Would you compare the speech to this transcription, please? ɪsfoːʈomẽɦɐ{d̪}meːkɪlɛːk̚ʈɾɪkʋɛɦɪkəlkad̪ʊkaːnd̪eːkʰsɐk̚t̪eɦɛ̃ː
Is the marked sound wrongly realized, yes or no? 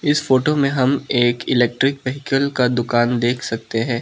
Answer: yes